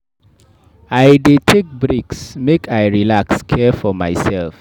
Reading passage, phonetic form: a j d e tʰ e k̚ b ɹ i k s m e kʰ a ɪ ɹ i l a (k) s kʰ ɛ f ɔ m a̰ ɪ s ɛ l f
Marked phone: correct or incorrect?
correct